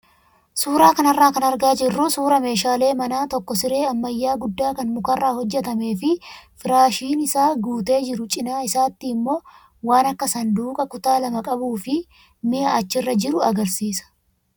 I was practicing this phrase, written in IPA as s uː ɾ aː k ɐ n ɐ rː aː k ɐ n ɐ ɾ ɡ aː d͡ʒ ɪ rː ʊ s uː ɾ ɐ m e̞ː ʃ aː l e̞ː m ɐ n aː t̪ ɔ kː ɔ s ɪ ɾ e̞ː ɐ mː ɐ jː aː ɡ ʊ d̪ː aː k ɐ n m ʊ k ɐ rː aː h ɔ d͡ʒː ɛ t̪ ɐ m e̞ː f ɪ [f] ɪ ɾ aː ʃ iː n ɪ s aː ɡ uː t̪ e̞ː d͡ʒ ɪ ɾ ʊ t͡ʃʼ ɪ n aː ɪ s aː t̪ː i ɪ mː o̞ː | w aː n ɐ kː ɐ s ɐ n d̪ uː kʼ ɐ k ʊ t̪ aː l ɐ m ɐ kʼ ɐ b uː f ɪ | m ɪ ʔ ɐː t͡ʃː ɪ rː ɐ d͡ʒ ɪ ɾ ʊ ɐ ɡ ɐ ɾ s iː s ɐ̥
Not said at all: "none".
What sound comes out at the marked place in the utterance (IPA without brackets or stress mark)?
f